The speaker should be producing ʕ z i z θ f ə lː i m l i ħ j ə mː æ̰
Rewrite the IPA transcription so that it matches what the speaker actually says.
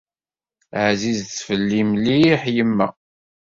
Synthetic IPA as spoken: ʕ z i z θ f ə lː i m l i ħ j ə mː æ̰